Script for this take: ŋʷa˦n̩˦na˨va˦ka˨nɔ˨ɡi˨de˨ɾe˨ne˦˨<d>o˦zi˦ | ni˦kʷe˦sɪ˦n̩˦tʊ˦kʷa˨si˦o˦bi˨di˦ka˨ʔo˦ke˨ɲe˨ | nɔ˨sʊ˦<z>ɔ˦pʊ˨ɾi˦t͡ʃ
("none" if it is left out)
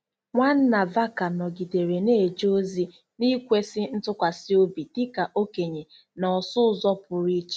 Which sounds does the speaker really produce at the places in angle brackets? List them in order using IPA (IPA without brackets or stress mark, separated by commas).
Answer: d͡ʒ, z